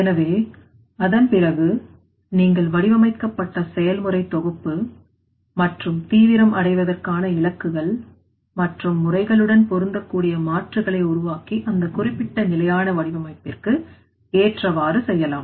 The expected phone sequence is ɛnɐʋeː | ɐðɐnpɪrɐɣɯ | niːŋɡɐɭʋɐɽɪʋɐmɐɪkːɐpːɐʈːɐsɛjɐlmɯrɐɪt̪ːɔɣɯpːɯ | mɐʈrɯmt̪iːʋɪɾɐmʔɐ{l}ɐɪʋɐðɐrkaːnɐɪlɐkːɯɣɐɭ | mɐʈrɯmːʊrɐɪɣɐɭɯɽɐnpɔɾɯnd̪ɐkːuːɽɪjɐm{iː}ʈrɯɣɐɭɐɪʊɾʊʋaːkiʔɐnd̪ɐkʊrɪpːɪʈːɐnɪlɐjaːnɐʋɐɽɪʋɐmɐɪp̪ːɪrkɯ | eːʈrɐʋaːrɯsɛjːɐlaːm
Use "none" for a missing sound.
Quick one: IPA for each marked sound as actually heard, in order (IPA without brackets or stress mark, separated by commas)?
ɽ, aː